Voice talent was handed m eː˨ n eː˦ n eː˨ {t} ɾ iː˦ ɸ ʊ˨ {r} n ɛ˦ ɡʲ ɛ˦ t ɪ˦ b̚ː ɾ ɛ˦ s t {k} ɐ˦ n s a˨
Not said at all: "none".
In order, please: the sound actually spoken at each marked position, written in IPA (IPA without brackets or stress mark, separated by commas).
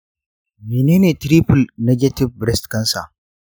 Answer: t, l, k